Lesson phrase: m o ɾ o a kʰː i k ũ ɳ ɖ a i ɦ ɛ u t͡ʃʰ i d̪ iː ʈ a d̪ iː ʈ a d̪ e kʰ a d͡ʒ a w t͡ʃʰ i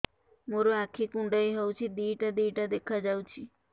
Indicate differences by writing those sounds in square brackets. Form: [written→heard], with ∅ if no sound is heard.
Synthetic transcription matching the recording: m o ɾ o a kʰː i k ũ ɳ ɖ a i ɦ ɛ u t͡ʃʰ i d̪ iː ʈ a d̪ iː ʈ a d̪ e kʰ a d͡ʒ a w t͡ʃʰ i